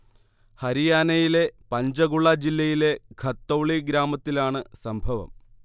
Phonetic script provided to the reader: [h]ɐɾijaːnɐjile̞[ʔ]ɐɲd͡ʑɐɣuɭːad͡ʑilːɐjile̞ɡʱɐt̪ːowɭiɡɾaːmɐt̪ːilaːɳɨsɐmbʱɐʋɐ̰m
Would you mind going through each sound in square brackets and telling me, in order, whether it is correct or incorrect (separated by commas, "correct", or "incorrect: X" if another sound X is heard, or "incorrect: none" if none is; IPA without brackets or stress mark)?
correct, incorrect: p